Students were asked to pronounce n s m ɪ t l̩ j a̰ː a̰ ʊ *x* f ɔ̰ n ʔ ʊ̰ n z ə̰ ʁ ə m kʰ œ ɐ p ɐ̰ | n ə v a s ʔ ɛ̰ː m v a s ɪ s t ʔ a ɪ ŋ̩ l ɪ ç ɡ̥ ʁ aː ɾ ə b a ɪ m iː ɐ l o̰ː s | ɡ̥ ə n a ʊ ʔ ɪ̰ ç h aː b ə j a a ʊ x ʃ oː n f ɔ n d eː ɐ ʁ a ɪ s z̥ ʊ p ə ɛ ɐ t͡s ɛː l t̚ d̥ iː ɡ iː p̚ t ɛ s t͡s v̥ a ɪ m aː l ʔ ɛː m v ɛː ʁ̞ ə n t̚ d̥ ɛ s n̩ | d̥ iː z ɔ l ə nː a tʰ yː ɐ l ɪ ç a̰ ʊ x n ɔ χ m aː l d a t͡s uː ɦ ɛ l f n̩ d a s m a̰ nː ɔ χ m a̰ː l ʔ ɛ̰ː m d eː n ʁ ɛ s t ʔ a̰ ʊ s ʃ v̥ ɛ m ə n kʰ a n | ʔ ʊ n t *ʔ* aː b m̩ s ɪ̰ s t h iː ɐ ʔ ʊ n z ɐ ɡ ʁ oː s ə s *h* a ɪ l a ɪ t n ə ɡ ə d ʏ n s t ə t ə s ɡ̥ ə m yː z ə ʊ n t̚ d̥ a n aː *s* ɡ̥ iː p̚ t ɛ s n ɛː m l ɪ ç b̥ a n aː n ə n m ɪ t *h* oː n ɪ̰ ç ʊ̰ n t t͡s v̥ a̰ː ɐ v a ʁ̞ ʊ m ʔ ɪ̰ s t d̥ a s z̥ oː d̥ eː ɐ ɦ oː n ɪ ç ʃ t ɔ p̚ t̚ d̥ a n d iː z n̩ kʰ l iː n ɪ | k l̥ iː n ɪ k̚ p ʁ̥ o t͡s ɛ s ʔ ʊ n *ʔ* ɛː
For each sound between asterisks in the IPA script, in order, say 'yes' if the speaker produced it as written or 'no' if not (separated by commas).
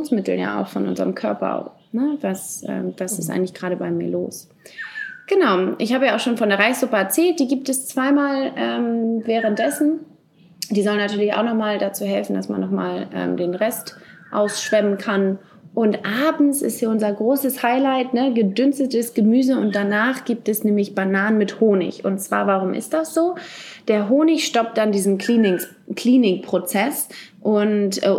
yes, yes, yes, no, yes, no